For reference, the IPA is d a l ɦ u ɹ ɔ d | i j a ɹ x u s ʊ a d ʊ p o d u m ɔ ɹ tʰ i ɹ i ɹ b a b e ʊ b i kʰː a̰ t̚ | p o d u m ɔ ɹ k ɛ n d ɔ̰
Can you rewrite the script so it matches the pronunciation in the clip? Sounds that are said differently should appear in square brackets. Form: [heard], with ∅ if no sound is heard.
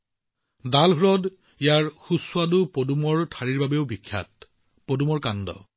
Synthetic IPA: d a l ɦ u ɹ ɔ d | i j a ɹ x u s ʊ a d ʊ p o d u m ɔ ɹ tʰ [a] ɹ i ɹ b a b e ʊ b i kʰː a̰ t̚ | p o d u m ɔ ɹ k [a] n d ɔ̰